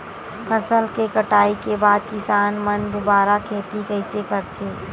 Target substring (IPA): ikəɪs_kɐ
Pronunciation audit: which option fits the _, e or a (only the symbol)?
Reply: e